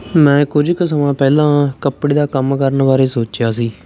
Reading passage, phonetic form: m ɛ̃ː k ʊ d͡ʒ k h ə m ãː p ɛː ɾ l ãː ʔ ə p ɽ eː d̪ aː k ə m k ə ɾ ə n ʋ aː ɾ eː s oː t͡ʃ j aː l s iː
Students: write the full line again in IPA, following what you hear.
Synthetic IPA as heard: m ɛ̃ː k ʊ d͡ʒ k s ə m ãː p ɛː l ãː k ə p ɽ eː d̪ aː k ə m k ə ɾ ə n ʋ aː ɾ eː s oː t͡ʃ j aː s iː